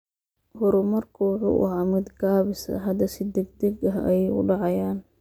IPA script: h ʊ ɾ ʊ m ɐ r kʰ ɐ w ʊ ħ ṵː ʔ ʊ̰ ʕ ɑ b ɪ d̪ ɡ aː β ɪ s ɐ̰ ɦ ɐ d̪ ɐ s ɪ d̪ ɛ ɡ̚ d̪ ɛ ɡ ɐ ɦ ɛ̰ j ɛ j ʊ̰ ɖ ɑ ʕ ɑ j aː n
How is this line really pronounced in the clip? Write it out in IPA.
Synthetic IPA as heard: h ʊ ɾ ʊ m ɐ r kʰ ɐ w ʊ ħ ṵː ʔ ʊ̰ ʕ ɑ m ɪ d̪ ɡ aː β ɪ s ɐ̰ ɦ ɐ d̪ ɐ s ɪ d̪ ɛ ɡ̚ d̪ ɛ ɡ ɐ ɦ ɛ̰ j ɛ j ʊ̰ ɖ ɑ ʕ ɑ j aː n